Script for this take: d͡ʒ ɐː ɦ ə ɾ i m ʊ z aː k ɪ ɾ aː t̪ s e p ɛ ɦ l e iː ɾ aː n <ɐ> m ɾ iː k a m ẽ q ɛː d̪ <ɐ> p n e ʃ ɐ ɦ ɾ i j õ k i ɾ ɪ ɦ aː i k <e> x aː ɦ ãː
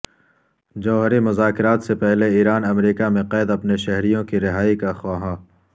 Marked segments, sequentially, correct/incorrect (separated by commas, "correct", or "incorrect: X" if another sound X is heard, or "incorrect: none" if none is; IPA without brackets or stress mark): correct, correct, incorrect: a